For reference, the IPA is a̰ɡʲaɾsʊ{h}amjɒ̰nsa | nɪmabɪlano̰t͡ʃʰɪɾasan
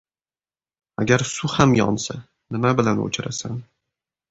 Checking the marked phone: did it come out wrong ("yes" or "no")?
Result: no